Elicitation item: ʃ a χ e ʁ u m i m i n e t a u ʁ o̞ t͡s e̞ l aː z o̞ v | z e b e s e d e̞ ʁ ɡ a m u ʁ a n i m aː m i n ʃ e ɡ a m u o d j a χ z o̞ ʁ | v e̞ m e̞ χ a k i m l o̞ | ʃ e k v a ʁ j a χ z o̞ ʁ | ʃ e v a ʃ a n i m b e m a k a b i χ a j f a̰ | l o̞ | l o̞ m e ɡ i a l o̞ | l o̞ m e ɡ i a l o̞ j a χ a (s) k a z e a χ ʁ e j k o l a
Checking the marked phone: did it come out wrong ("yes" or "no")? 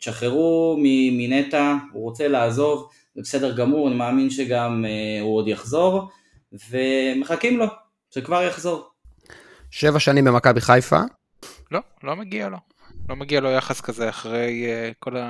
no